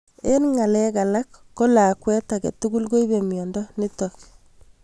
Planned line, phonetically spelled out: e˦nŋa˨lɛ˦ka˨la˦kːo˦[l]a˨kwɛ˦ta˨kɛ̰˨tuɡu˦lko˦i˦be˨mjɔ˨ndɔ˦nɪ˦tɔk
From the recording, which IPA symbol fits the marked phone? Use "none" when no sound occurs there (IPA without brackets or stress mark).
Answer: l